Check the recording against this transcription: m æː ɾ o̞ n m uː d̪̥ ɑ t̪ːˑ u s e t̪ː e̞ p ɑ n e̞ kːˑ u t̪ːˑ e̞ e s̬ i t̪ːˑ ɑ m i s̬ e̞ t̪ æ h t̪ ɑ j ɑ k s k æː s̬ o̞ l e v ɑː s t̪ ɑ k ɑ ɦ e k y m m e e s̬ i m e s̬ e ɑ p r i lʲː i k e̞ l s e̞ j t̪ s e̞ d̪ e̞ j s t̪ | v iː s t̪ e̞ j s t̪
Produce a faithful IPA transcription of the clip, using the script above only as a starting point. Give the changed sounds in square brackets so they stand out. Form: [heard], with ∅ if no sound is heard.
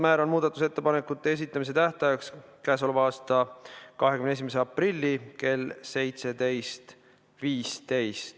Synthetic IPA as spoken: m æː ɾ o̞ n m uː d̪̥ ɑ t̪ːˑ u s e t̪ː e̞ p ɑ n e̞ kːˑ u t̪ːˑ e̞ e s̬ i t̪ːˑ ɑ m i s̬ e̞ t̪ æ h t̪ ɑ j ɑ k s k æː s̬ o̞ l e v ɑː s t̪ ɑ k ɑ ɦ e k y m [n] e e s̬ i m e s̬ e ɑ p r i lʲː i k e̞ l s e̞ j t̪ s e̞ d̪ e̞ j s t̪ | v iː s t̪ e̞ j s t̪